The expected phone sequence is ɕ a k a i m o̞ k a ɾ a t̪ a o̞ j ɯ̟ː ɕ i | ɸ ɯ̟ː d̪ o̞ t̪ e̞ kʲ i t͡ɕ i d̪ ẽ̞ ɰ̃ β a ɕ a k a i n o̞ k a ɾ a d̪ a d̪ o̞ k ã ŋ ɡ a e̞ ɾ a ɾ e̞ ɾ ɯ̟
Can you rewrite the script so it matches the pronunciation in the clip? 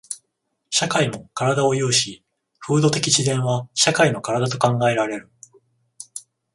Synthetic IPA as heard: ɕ a k a i m o̞ k a ɾ a d̪ a o̞ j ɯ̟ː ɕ i | ɸ ɯ̟ː d̪ o̞ t̪ e̞ kʲ i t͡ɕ i d̪ ẽ̞ ɰ̃ β a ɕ a k a i n o̞ k a ɾ a d̪ a t̪ o̞ k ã ŋ ɡ a e̞ ɾ a ɾ e̞ ɾ ɯ̟